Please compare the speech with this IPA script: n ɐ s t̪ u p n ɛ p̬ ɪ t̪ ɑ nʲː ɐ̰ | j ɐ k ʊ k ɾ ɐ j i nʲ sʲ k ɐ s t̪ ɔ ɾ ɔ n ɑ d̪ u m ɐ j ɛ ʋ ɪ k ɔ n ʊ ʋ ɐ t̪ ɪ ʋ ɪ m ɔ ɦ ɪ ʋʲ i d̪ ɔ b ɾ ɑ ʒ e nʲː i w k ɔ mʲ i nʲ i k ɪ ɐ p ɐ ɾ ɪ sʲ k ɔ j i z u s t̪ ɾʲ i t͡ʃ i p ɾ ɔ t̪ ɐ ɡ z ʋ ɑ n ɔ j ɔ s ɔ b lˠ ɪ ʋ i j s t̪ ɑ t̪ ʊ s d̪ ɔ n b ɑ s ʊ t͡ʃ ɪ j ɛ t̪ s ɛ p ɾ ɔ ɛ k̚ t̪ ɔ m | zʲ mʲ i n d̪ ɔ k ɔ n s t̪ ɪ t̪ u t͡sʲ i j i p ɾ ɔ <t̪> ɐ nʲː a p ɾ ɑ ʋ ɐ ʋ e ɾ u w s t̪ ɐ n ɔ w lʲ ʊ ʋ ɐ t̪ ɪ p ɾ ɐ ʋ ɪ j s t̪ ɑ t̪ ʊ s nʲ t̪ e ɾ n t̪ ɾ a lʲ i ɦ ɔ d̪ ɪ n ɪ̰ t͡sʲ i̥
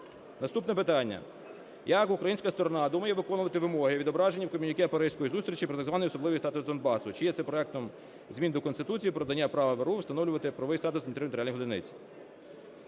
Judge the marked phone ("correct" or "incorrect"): incorrect